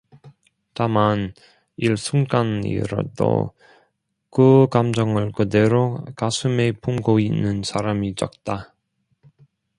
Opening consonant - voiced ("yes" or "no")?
no